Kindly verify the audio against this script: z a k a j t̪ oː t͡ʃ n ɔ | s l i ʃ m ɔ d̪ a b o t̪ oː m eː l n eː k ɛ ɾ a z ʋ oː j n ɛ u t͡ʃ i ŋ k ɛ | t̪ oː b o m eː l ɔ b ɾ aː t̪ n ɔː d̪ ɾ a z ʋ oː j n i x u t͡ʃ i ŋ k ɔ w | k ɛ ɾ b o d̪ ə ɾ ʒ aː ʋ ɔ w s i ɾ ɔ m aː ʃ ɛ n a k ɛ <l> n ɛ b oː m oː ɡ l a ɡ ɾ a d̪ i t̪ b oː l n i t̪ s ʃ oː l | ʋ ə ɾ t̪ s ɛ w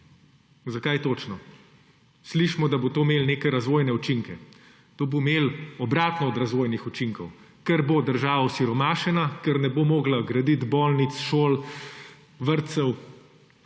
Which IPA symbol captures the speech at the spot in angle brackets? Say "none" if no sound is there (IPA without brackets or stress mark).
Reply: ɾ